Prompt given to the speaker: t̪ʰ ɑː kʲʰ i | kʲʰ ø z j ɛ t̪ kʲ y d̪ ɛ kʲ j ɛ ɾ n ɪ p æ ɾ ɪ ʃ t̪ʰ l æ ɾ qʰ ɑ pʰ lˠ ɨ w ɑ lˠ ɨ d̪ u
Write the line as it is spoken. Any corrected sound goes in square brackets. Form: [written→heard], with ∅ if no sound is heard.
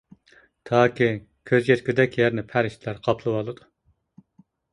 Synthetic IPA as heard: t̪ʰ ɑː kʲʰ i | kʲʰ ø z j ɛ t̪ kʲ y d̪ ɛ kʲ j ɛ ɾ n ɪ [p→pʰ] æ ɾ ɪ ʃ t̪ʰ l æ ɾ qʰ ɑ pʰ lˠ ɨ w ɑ lˠ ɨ d̪ u

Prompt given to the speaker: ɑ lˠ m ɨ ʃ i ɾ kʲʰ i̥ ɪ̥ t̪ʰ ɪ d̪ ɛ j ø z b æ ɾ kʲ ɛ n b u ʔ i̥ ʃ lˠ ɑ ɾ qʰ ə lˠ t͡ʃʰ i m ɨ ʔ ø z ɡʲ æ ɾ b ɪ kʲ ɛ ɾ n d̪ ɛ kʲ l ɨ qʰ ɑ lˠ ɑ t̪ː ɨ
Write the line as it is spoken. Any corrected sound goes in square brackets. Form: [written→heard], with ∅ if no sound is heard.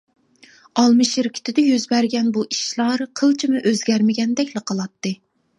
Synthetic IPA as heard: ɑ lˠ m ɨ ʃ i ɾ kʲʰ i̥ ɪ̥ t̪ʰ ɪ d̪ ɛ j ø z b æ ɾ [kʲ→ɡʲ] ɛ n b u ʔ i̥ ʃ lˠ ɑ ɾ qʰ ə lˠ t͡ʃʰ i m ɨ ʔ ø z ɡʲ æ ɾ [b→m] ɪ [kʲ→ɡʲ] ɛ [ɾ→∅] n d̪ ɛ kʲ l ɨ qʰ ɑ lˠ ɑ t̪ː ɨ

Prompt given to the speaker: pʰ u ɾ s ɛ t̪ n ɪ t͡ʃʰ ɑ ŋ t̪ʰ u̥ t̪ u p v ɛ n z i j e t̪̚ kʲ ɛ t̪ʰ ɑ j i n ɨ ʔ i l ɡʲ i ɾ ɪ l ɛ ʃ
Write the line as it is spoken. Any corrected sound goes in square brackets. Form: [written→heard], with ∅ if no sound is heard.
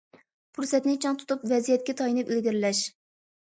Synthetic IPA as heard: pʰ u ɾ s ɛ t̪ n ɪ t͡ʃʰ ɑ ŋ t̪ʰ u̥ t̪ u p v ɛ [n→∅] z i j [e→ɛ] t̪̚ kʲ ɛ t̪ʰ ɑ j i n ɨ [ʔ→p] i l ɡʲ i ɾ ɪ l ɛ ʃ

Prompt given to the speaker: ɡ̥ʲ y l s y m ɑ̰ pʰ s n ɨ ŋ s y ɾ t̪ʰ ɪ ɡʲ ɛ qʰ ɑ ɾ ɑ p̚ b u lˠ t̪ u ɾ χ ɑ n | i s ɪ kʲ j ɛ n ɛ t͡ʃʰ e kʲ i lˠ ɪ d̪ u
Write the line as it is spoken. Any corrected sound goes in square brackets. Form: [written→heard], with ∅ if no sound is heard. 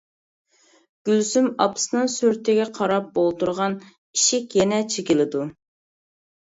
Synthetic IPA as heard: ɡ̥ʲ y l s y m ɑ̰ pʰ s n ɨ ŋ s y ɾ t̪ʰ ɪ ɡʲ ɛ qʰ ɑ ɾ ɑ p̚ b [u→o] lˠ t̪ u ɾ [χ→ʁ] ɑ n | i [s→ʃ] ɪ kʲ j ɛ n ɛ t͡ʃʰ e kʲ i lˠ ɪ d̪ u

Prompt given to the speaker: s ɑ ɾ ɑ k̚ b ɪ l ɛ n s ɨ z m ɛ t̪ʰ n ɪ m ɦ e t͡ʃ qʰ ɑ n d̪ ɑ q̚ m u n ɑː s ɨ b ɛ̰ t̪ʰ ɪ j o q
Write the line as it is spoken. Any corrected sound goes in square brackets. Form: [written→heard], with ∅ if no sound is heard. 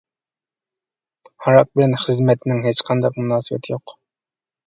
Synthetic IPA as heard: [s→h] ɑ ɾ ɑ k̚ b ɪ l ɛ n [s→χ] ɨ z m ɛ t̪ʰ n ɪ [m→ŋ] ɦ e t͡ʃ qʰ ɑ n d̪ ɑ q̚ m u n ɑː s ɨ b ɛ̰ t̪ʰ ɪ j o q

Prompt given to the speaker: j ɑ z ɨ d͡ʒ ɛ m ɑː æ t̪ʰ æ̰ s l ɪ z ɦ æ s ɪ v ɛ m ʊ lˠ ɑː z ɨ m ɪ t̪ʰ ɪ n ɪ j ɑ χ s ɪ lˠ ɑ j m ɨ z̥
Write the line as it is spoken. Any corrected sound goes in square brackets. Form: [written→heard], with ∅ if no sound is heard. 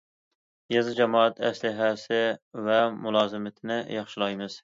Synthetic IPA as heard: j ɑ z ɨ d͡ʒ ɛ m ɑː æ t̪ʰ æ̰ s l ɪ [z→∅] ɦ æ s ɪ v ɛ m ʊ lˠ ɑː z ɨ m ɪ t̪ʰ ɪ n ɪ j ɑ χ [s→ʃ] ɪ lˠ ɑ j m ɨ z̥

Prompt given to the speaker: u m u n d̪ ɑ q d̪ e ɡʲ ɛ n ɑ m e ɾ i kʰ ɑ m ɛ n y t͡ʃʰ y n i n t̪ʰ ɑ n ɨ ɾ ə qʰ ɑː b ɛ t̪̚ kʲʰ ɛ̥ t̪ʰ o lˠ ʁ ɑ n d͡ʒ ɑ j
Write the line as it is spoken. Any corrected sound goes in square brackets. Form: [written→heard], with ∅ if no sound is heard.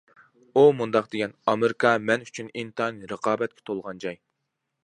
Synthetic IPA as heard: u m u n d̪ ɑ q d̪ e ɡʲ ɛ n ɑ m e ɾ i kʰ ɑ m ɛ n y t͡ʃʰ y n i n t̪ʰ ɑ n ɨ ɾ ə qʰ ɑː b ɛ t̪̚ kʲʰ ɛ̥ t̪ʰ o lˠ ʁ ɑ n d͡ʒ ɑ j

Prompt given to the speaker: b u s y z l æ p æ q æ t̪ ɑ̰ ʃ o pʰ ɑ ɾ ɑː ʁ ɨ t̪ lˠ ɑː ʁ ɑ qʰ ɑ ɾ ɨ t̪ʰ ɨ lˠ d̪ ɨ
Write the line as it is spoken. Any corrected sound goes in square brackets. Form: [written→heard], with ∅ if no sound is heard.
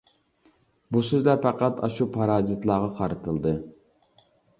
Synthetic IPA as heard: b u s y z l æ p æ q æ t̪ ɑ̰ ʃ [o→u] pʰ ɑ ɾ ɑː [ʁ→z] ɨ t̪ lˠ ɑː ʁ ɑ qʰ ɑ ɾ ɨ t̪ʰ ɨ lˠ d̪ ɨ

